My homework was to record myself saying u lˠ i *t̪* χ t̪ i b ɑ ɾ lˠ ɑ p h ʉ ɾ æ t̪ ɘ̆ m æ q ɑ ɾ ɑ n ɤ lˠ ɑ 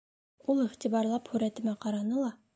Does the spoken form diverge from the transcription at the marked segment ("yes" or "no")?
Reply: yes